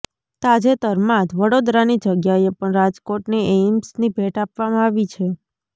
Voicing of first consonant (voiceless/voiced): voiceless